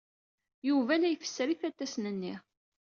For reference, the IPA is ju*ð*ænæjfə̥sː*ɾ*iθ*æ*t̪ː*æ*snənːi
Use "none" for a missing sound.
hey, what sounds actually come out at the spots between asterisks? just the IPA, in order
v, ɾ, æ, æ

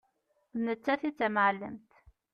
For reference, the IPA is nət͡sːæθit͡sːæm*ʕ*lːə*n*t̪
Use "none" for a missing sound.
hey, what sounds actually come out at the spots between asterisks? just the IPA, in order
ʕ, m

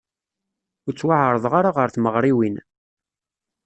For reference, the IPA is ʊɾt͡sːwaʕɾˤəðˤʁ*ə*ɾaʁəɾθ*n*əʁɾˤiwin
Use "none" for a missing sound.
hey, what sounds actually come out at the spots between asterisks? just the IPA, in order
a, m

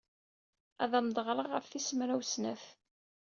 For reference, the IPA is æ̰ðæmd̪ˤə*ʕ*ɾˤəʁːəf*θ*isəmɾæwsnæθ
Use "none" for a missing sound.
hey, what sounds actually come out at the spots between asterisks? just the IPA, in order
ʁ, θ

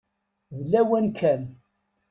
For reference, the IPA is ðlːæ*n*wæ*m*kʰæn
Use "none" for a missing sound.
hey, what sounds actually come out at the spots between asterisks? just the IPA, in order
none, n

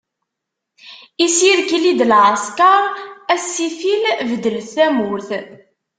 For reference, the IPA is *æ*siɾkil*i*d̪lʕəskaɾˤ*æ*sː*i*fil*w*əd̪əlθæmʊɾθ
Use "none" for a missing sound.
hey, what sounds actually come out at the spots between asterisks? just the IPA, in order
i, i, æ, i, v

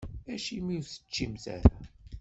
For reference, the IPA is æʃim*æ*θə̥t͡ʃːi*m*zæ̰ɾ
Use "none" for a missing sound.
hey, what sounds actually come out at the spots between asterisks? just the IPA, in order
i, m

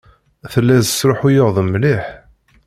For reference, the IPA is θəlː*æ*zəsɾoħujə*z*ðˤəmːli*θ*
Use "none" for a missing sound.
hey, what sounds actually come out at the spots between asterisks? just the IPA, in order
æ, ʁ, ħ

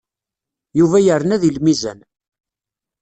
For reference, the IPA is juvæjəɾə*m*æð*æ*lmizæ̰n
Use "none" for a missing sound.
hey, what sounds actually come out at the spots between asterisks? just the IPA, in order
n, i

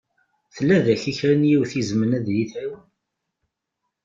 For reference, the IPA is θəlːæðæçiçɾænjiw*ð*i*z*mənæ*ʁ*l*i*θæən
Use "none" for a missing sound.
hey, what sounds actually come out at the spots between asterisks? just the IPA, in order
θ, z, ð, i

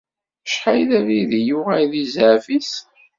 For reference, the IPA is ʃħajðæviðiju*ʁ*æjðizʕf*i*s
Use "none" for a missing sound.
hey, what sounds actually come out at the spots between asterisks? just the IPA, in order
ʁ, i

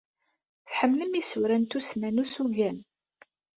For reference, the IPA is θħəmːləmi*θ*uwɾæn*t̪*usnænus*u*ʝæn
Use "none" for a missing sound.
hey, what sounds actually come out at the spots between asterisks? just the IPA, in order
s, t̪, u

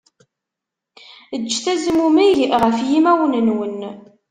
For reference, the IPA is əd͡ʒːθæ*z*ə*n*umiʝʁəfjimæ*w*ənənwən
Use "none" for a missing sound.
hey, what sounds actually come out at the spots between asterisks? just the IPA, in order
z, m, w

